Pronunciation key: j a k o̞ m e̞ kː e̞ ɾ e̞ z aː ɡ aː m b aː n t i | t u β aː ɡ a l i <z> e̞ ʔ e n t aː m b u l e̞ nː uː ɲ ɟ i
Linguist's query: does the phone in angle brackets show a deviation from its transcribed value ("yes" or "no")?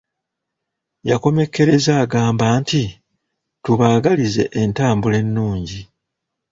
no